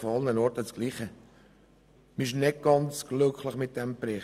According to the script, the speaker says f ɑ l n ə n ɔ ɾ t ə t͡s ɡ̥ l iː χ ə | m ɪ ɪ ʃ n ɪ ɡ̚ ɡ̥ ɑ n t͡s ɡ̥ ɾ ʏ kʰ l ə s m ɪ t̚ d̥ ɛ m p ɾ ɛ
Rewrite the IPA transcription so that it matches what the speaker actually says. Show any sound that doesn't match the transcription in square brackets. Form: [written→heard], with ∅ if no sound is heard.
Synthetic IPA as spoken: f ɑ l n ə n ɔ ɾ t ə t͡s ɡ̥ l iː χ ə | m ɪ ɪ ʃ n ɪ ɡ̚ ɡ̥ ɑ n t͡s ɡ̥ [ɾ→l] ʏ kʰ l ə [s→χ] m ɪ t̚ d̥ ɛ m p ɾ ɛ

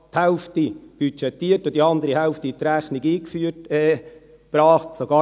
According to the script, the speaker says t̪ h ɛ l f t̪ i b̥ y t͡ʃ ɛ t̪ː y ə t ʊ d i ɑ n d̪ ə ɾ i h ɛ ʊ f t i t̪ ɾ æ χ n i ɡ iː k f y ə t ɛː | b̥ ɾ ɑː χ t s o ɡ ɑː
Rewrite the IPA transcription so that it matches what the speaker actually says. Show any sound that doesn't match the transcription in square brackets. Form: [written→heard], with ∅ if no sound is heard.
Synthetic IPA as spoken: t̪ h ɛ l f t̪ i b̥ y t͡ʃ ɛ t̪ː [y→i] ə t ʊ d i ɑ n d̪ ə ɾ i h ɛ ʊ f t i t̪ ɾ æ χ n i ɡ iː k f y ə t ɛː | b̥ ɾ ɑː χ t s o ɡ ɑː

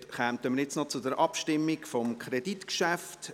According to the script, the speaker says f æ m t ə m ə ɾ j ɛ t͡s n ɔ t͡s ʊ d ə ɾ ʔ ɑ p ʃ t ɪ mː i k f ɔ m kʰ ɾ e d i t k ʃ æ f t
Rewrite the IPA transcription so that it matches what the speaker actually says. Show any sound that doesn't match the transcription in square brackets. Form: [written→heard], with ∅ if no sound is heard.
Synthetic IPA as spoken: [f→χ] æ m t ə m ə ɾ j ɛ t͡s n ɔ t͡s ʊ d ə ɾ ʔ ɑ p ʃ t ɪ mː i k f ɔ m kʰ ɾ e d i t k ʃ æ f t

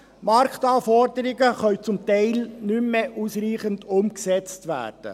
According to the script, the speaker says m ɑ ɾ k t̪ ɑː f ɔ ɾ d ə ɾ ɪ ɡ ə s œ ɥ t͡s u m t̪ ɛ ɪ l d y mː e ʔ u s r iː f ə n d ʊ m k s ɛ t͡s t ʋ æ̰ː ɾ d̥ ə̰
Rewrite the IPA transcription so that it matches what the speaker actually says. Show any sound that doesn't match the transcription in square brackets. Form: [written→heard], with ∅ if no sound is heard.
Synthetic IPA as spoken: m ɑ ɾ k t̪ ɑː f ɔ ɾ d ə ɾ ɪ ɡ ə [s→χ] œ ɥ t͡s [u→ʊ] m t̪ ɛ ɪ l [d→n] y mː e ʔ u s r iː [f→χ] ə n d ʊ m k s ɛ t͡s t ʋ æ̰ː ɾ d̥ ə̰

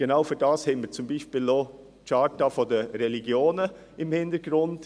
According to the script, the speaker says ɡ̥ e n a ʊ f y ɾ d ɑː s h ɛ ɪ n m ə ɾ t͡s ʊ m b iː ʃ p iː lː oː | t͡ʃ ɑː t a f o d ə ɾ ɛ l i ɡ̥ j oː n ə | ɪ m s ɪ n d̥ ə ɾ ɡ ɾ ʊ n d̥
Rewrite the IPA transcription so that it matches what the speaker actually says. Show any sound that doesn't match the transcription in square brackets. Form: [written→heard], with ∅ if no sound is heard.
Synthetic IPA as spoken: ɡ̥ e n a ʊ f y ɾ d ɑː s h ɛ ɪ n m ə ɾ t͡s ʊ m b iː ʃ p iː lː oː | t͡ʃ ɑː t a f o d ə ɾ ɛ l i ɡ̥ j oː n ə | ɪ m [s→h] ɪ n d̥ ə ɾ ɡ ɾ ʊ n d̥

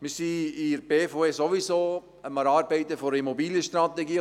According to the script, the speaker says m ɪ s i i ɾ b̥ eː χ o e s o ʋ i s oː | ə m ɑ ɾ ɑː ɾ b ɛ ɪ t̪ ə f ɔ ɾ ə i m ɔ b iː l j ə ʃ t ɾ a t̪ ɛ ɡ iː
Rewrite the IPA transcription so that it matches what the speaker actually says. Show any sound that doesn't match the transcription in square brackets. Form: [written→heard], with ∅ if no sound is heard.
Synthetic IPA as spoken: m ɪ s i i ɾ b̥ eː [χ→f] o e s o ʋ i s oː | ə m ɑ ɾ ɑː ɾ b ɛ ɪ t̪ ə f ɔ ɾ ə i m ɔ b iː l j ə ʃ t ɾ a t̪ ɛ ɡ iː

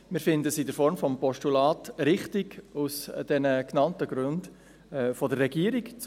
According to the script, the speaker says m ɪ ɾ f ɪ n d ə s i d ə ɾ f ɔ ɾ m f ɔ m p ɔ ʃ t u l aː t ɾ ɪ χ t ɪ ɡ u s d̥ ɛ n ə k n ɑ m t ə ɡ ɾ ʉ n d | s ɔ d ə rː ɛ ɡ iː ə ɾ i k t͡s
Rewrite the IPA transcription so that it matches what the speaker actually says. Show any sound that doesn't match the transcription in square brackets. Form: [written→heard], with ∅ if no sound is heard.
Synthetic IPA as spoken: m ɪ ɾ f ɪ n d ə s i d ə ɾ f ɔ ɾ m f ɔ m p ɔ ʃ t u l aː t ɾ ɪ χ t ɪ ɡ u s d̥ ɛ n ə k n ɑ [m→n] t ə ɡ ɾ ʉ n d | [s→f] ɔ d ə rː ɛ ɡ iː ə ɾ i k t͡s

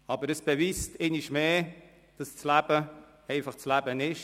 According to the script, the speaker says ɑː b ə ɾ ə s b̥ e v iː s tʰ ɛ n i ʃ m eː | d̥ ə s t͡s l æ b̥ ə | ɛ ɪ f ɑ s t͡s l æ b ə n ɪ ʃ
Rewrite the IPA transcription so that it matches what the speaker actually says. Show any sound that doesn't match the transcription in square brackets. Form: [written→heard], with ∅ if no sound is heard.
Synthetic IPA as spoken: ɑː b ə ɾ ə s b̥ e v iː s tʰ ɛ n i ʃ m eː | d̥ [ə→ɑ] s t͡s l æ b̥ ə | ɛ ɪ f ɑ [s→χ] t͡s l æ b ə n ɪ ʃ

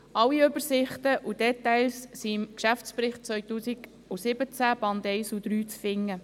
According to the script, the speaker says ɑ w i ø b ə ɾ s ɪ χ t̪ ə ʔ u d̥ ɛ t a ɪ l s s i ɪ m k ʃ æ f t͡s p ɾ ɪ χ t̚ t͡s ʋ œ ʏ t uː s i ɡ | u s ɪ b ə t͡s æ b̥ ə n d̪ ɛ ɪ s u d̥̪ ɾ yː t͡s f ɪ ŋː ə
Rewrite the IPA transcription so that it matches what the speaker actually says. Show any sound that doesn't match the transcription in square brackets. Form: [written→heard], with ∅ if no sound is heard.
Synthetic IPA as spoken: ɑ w i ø b ə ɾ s ɪ χ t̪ ə ʔ u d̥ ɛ t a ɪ l s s i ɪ m k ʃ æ f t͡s p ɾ ɪ χ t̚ t͡s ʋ œ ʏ t uː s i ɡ | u s ɪ b ə t͡s æ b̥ [ə→ɑ] n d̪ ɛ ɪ s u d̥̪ ɾ yː t͡s f ɪ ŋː ə

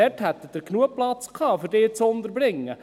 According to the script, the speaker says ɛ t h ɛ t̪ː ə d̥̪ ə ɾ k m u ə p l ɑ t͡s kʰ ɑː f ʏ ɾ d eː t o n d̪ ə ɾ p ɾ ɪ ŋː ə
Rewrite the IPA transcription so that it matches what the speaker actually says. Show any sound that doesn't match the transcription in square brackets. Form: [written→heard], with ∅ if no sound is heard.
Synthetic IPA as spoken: ɛ t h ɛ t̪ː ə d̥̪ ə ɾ k [m→n] u ə p l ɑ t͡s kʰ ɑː f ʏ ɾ d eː [t→t͡s] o n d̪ ə ɾ [p→b] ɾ ɪ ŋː ə

